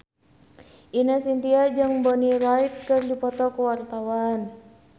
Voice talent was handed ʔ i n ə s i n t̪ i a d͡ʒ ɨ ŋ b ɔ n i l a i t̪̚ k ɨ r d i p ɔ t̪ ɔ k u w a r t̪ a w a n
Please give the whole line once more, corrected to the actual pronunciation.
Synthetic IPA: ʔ i n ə s i n t̪ i a d͡ʒ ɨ ŋ b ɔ n i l a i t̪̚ k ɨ r d i p ɔ t̪ ɔ k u w a r t̪ a w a n